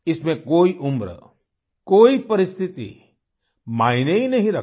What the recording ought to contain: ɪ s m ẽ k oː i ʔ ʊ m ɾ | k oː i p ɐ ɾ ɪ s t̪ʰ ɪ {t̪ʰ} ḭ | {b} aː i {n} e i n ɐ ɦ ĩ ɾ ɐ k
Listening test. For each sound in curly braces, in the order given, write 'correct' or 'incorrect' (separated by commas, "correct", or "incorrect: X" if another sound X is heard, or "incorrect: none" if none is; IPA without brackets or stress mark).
incorrect: t̪, incorrect: m, correct